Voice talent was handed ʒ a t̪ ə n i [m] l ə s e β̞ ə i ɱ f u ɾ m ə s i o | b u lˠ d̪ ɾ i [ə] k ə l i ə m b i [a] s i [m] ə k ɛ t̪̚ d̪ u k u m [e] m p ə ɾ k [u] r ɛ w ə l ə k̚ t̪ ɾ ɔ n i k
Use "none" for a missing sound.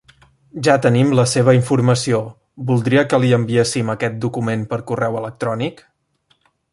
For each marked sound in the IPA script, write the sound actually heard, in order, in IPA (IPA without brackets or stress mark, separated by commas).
m, ə, e, m, e, u